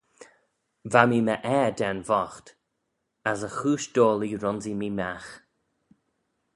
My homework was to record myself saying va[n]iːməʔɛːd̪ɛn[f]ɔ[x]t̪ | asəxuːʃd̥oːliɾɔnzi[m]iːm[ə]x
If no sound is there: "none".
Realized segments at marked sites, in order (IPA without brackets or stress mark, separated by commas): m, v, x, m, a